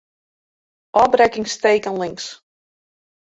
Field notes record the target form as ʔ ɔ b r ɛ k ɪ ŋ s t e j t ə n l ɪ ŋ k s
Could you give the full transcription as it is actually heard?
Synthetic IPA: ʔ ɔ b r ɛ k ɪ ŋ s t e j k ə n l ɪ ŋ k s